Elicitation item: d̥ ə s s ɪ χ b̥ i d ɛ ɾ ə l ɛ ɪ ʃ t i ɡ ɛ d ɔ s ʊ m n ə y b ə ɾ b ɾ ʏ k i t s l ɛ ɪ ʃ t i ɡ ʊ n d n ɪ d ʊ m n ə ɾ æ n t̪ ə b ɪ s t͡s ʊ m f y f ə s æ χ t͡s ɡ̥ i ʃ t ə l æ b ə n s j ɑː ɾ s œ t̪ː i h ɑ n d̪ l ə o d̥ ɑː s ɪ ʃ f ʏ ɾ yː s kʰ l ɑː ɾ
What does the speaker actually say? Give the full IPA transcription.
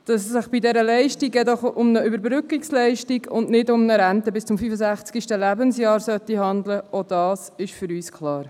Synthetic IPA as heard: d̥ ɑ s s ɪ χ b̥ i d ɛ ɾ ə l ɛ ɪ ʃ t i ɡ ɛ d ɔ χ ʊ m n ə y b ə ɾ b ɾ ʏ k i k s l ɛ ɪ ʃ t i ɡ ʊ n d n ɪ d ʊ m n ə ɾ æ n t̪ ə b ɪ s t͡s ʊ m f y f ə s æ χ t͡s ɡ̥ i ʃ t ə l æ b ə n s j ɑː ɾ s œ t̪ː i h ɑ n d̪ l ə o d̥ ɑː s ɪ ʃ f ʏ ɾ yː s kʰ l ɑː ɾ